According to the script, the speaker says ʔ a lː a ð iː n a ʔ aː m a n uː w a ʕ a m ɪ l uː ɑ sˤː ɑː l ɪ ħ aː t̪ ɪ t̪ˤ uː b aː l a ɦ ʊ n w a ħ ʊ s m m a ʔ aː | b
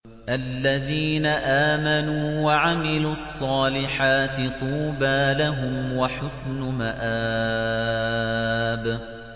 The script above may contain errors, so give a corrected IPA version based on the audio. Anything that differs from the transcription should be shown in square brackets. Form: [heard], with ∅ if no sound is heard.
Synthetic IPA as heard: ʔ a lː a ð iː n a ʔ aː m a n uː w a ʕ a m ɪ l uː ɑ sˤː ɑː l ɪ ħ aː t̪ ɪ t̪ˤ uː b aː l a ɦ ʊ [m] w a ħ ʊ s [n] m a ʔ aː | b